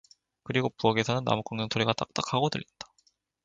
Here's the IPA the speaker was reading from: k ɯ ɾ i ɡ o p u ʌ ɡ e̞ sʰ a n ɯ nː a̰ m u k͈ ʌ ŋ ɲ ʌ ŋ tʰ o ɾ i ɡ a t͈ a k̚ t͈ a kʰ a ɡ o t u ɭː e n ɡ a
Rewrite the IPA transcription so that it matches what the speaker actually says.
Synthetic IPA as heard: k ɯ ɾ i ɡ o p u ʌ ɡ e̞ sʰ ʌ n ɯ nː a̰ m u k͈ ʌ ŋ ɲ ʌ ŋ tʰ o ɾ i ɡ a t͈ a k̚ t͈ a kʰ a ɡ o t ɯ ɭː i n d a